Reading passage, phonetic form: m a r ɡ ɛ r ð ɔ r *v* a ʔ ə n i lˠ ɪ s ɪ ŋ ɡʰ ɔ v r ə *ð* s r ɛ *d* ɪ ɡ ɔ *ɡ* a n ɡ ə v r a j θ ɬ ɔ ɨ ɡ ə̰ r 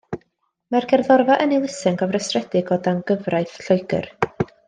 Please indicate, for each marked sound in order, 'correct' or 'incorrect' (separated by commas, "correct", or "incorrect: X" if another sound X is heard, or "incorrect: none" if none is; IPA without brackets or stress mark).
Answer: correct, incorrect: none, correct, incorrect: d